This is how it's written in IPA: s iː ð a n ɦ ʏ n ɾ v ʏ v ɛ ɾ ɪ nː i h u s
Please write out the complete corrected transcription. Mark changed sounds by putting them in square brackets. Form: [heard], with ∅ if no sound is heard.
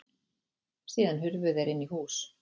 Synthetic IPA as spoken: s iː ð a n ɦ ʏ [∅] ɾ v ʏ [ð] ɛ ɾ ɪ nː i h [uː] s